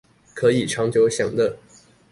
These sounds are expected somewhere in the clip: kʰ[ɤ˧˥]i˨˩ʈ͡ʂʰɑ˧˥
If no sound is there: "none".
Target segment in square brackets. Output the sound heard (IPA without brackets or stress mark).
ɤ˧˥